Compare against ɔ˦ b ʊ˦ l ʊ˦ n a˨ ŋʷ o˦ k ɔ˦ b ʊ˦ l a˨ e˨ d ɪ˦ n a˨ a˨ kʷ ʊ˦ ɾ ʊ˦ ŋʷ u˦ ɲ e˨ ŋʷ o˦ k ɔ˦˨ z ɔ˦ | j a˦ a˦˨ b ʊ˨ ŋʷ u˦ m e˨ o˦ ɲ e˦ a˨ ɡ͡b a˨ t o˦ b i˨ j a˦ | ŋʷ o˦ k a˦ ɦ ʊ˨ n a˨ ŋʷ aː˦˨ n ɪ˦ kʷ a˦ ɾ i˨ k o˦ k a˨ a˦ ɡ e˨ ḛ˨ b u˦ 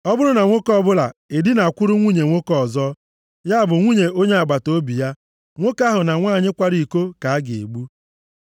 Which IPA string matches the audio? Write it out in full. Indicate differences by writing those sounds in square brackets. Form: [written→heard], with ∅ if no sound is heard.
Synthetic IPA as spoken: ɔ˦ b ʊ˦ [l→ɾ] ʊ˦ n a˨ ŋʷ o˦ k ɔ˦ b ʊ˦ l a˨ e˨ d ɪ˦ n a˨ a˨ kʷ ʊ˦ ɾ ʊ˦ ŋʷ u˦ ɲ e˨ ŋʷ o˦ k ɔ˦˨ z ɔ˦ | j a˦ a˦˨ b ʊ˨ ŋʷ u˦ [m→ɲ] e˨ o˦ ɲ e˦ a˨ ɡ͡b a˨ t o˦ b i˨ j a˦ | ŋʷ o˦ k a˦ ɦ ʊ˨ n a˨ ŋʷ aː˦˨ [n→ɲ] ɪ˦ kʷ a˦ ɾ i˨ k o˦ k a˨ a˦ ɡ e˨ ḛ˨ [b→ɡ͡b] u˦